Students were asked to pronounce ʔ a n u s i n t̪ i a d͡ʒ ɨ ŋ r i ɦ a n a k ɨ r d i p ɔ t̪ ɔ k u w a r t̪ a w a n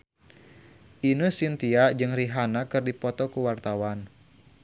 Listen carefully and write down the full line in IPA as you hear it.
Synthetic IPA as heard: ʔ i n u s i n t̪ i a d͡ʒ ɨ ŋ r i ɦ a n a k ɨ r d i p ɔ t̪ ɔ k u w a r t̪ a w a n